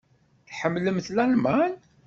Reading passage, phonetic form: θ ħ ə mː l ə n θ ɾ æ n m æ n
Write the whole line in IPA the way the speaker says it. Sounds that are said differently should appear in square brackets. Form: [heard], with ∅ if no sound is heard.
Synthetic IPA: θ ħ ə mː l ə [m] θ [l] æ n m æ n